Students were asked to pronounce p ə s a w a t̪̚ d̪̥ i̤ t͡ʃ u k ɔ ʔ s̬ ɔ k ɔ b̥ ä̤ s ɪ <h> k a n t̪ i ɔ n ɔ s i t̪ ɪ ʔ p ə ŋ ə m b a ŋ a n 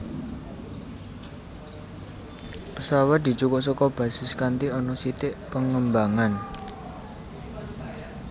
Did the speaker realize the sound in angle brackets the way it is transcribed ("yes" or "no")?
no